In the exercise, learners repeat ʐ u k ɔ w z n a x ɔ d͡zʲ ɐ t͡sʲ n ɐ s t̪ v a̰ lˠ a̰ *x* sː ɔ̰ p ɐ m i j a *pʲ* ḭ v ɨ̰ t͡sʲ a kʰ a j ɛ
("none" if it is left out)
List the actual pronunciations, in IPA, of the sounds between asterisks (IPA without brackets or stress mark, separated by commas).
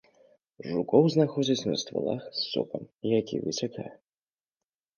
x, kʲ